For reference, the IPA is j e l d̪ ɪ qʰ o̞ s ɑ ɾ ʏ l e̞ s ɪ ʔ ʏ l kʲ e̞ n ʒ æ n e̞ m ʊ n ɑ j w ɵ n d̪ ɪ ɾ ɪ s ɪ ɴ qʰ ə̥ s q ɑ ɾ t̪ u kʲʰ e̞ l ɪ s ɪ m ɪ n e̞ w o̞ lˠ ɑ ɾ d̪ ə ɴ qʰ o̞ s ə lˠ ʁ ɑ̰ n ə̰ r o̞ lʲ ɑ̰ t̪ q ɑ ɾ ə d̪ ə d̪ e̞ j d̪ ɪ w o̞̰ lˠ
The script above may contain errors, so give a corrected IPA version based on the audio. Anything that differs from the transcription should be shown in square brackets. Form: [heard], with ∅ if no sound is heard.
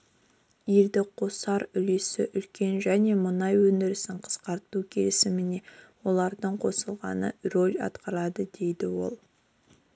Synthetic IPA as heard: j e l d̪ ɪ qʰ o̞ s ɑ ɾ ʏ l e̞ s ɪ ʔ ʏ l kʲ e̞ n ʒ æ n e̞ m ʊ n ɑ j w ɵ n d̪ ɪ ɾ ɪ s ɪ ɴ qʰ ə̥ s q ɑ ɾ t̪ u kʲʰ e̞ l ɪ s ɪ m ɪ n e̞ w o̞ lˠ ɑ ɾ d̪ ə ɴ qʰ o̞ s ə lˠ ʁ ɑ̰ n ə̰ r o̞ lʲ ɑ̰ t̪ q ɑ ɾ [ɑ] d̪ ə d̪ e̞ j d̪ ɪ w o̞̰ lˠ

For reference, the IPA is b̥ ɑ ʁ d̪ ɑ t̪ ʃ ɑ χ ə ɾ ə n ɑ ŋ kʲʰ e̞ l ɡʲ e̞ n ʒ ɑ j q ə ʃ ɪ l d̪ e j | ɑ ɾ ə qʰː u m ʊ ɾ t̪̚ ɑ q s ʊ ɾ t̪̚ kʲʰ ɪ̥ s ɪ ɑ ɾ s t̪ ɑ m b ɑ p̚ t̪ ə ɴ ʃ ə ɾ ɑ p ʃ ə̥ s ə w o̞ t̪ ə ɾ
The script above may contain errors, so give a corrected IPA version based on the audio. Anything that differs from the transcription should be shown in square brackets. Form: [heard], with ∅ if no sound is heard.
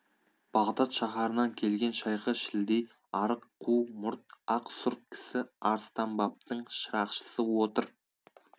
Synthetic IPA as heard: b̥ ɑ ʁ d̪ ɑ t̪ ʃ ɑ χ [ɑ] ɾ ə n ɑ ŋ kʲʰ e̞ l ɡʲ e̞ n [ʃ] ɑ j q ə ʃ ɪ l d̪ e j | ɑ ɾ ə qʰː u m ʊ ɾ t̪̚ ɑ q s ʊ ɾ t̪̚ kʲʰ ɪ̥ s ɪ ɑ ɾ s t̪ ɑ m b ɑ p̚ t̪ ə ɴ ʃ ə ɾ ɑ [q] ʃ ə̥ s ə w o̞ t̪ ə ɾ

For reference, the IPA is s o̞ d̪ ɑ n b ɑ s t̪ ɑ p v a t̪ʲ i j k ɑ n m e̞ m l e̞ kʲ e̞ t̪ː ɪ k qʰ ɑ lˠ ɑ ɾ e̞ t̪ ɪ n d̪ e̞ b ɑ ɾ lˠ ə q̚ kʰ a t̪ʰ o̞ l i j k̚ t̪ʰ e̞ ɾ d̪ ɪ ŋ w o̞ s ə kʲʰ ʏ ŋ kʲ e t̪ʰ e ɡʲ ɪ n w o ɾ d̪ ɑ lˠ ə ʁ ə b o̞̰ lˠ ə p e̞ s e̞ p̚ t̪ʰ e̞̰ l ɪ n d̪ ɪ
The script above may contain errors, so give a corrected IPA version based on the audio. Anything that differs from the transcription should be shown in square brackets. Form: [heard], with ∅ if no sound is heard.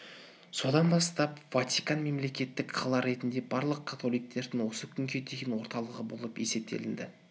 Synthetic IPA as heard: s o̞ d̪ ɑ n b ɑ s t̪ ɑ p v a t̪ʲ i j k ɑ n m e̞ m l e̞ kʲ e̞ t̪ː ɪ k qʰ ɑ lˠ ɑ ɾ e̞ t̪ ɪ n d̪ e̞ b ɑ ɾ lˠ ə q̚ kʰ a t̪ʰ o̞ l i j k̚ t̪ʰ e̞ ɾ d̪ ɪ ŋ w o̞ s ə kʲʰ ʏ ŋ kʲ e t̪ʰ e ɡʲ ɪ n w o ɾ [t̪] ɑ lˠ ə ʁ ə b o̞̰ lˠ ə p e̞ s e̞ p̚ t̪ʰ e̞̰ l ɪ n d̪ ɪ

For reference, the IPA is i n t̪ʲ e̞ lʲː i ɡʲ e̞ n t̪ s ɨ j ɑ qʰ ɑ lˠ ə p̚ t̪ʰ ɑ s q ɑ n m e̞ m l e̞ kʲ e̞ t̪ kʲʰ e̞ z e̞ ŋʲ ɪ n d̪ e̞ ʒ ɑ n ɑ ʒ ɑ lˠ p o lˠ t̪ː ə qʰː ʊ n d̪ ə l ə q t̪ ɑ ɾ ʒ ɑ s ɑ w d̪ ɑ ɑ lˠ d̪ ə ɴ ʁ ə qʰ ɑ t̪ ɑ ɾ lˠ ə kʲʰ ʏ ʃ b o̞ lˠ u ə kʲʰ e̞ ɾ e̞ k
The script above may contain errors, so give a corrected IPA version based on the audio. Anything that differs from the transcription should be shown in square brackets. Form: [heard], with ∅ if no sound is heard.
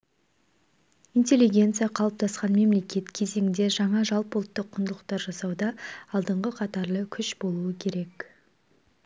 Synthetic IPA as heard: i n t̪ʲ e̞ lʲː i ɡʲ e̞ n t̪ s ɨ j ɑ qʰ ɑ lˠ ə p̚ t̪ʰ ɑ s q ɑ n m e̞ m l e̞ kʲ e̞ t̪ kʲʰ e̞ z e̞ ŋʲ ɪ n d̪ e̞ ʒ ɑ [ɴ] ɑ ʒ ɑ lˠ p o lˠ t̪ː ə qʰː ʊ n d̪ ə l ə q t̪ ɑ ɾ ʒ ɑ s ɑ w d̪ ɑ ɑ lˠ d̪ ə ɴ ʁ ə qʰ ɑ t̪ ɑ ɾ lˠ ə kʲʰ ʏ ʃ b o̞ lˠ u ə kʲʰ e̞ ɾ e̞ k

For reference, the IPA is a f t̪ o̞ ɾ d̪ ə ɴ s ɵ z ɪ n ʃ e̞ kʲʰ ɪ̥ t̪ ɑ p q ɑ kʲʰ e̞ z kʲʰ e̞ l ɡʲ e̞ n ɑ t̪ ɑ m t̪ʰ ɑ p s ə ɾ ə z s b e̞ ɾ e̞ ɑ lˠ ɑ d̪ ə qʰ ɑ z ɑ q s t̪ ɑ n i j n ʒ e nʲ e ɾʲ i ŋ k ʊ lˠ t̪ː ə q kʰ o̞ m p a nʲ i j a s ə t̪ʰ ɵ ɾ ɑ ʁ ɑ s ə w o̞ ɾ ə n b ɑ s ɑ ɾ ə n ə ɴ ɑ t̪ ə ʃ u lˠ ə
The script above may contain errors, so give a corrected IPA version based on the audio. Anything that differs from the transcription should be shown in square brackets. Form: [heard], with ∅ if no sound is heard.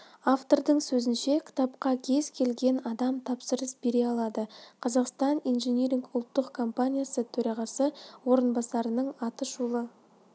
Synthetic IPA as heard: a f t̪ o̞ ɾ d̪ ə ɴ s ɵ z ɪ n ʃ e̞ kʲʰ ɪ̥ t̪ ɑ p q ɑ kʲʰ e̞ z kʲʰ e̞ l ɡʲ e̞ n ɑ [d̪] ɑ m t̪ʰ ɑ p s ə ɾ ə [∅] s b e̞ ɾ e̞ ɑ lˠ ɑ d̪ ə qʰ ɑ z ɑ q s t̪ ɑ n i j n ʒ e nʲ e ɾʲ i ŋ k ʊ lˠ t̪ː ə q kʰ o̞ m p a nʲ i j a s ə t̪ʰ ɵ ɾ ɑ ʁ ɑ s ə w o̞ ɾ ə n b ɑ s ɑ ɾ ə n ə ɴ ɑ t̪ ə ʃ u lˠ ə

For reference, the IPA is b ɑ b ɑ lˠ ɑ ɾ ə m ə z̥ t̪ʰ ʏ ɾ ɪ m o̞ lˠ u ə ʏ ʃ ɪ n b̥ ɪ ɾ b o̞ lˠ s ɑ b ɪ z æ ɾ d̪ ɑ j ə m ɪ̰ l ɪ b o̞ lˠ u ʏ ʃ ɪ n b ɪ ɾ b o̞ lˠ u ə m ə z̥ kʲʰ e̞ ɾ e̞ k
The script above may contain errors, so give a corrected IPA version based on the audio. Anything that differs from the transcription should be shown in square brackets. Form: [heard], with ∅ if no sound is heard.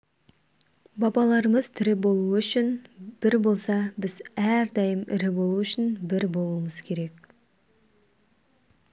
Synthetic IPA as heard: b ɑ b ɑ lˠ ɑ ɾ ə m ə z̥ t̪ʰ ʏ ɾ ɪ [b] o̞ lˠ u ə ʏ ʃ ɪ n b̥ ɪ ɾ b o̞ lˠ s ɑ b ɪ z æ ɾ d̪ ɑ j ə m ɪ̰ [ɾ] ɪ b o̞ lˠ u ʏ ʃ ɪ n b ɪ ɾ b o̞ lˠ u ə m ə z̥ kʲʰ e̞ ɾ e̞ k

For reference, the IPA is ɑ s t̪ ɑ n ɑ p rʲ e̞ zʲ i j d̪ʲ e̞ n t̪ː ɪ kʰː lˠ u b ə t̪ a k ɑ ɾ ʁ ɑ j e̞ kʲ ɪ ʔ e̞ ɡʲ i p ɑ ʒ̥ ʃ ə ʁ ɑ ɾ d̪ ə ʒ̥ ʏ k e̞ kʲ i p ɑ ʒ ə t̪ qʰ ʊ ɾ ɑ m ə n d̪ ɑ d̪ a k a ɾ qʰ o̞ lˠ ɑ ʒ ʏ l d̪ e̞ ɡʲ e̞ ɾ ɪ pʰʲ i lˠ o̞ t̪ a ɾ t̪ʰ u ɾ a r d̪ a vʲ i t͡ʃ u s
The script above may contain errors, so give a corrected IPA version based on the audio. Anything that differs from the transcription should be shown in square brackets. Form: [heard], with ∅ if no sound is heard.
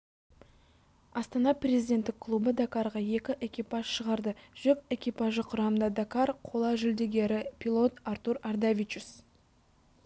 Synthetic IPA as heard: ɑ s t̪ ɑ n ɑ p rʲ e̞ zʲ i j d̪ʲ e̞ n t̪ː ɪ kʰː lˠ u b ə [d̪] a k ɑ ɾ ʁ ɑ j e̞ kʲ ɪ ʔ e̞ [kʲ] i p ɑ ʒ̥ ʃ ə ʁ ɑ ɾ d̪ ə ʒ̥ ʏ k e̞ kʲ i p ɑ ʒ ə [∅] qʰ ʊ ɾ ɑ m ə n d̪ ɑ d̪ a k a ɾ qʰ o̞ lˠ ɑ ʒ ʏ l d̪ e̞ ɡʲ e̞ ɾ ɪ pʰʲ i lˠ o̞ t̪ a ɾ [t̪] u ɾ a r d̪ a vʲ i t͡ʃ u s

